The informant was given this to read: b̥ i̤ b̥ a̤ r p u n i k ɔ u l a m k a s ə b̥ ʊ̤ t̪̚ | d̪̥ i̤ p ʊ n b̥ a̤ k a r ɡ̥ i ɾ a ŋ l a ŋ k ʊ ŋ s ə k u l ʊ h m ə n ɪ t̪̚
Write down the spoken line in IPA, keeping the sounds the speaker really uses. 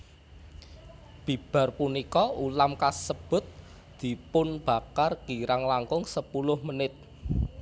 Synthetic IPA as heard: b̥ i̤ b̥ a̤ r p u n i k ɔ u l a m k a s ə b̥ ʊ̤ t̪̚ | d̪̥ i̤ p ʊ n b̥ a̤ k a r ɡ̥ i ɾ a ŋ l a ŋ k ʊ ŋ s ə p u l ʊ h m ə n ɪ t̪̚